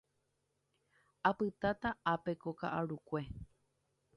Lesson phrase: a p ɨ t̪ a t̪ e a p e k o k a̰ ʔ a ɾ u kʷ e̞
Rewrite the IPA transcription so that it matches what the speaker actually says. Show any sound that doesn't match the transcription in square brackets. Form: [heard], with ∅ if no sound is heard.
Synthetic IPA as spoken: a p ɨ t̪ a t̪ [a] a p e k o k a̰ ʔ a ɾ u kʷ e̞